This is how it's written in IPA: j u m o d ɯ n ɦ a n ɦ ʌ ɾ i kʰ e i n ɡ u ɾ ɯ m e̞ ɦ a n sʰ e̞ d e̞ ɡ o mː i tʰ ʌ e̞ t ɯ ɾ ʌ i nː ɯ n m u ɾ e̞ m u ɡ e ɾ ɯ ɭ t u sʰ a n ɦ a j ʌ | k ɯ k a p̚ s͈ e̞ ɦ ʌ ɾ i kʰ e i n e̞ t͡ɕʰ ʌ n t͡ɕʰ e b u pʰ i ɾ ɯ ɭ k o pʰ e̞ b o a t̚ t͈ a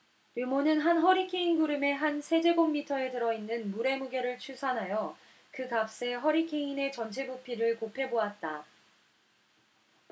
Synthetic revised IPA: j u m o n ɯ n ɦ a n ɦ ʌ ɾ i kʰ e i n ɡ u ɾ ɯ m e̞ ɦ a n sʰ e̞ d͡ʑ e̞ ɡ o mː i tʰ ʌ e̞ t ɯ ɾ ʌ i nː ɯ n m u ɾ e̞ m u ɡ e ɾ ɯ ɭ t͡ɕʰ u sʰ a n ɦ a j ʌ | k ɯ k a p̚ s͈ e̞ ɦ ʌ ɾ i kʰ e i n e̞ t͡ɕ ʌ n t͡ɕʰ e b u pʰ i ɾ ɯ ɭ k o pʰ e̞ b o a t̚ t͈ a